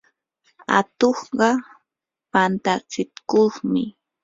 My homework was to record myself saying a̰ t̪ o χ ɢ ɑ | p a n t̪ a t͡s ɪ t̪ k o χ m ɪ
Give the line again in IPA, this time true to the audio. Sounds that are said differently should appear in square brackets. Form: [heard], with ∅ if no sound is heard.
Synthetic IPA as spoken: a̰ t̪ o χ ɢ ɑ | p a n t̪ a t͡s ɪ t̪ k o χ m ɪ